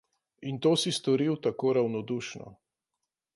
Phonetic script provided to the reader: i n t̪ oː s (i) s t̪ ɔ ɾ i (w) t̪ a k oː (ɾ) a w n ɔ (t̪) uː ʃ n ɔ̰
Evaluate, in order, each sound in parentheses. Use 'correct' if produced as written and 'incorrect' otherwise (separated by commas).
correct, correct, correct, incorrect